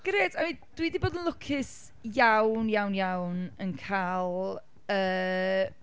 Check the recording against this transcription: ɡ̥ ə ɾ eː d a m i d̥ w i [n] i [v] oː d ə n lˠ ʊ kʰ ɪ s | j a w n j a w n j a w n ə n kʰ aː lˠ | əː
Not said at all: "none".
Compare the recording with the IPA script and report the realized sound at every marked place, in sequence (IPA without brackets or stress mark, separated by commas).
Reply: d, b